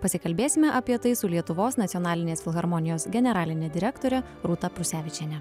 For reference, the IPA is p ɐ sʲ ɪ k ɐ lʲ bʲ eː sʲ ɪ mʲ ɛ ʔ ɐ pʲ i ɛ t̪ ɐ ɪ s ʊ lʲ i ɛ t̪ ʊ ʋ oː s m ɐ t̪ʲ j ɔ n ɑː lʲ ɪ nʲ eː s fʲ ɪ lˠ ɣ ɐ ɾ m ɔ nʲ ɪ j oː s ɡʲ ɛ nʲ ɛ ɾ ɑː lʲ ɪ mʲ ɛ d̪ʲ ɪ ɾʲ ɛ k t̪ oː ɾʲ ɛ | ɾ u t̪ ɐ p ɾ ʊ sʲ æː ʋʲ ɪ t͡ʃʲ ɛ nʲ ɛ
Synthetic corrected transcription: p ɐ sʲ ɪ k ɐ lʲ bʲ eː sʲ ɪ mʲ ɛ ʔ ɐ pʲ i ɛ t̪ ɐ ɪ s ʊ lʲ i ɛ t̪ ʊ ʋ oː s n ɐ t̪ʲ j ɔ n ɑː lʲ ɪ nʲ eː s fʲ ɪ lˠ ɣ ɐ ɾ m ɔ nʲ ɪ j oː s ɡʲ ɛ nʲ ɛ ɾ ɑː lʲ ɪ nʲ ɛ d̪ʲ ɪ ɾʲ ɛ k t̪ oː ɾʲ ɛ | ɾ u t̪ ɐ p ɾ ʊ sʲ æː ʋʲ ɪ t͡ʃʲ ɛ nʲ ɛ